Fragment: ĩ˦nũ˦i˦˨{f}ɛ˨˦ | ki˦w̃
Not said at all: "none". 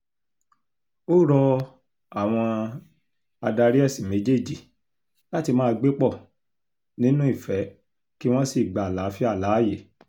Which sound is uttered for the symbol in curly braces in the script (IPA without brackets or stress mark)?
f